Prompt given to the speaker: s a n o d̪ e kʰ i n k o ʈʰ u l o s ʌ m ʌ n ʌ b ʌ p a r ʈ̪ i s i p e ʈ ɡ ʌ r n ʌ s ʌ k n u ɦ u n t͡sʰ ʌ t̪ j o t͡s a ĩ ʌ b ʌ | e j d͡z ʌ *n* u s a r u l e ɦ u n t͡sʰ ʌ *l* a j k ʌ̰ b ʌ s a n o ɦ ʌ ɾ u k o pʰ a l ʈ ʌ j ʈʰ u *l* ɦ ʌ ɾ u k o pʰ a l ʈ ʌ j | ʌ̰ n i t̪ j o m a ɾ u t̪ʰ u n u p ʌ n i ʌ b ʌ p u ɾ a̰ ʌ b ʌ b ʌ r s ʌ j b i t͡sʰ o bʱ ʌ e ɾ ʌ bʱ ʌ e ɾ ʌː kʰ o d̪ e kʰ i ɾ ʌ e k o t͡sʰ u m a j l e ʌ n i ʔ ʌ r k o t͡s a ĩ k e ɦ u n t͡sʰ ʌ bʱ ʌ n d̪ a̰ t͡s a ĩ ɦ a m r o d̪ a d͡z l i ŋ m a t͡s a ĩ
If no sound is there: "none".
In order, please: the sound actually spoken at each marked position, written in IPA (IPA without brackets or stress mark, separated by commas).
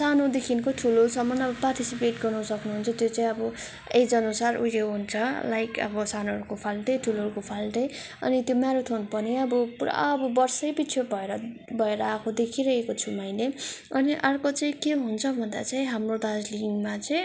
n, l, l